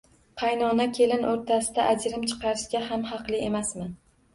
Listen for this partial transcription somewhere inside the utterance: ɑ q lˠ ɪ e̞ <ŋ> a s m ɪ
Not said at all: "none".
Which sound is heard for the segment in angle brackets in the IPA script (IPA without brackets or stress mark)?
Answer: m